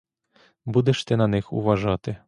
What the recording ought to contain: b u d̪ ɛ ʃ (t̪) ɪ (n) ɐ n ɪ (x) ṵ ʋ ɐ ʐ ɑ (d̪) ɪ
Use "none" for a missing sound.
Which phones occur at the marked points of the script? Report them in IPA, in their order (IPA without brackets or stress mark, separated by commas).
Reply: t̪, n, x, t̪